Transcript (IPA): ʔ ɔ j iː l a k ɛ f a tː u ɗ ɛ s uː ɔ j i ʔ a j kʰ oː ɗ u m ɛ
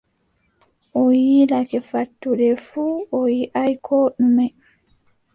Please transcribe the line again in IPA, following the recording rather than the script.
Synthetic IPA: ʔ ɔ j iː l a k ɛ f a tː u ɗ ɛ f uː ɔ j i ʔ a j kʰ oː ɗ u m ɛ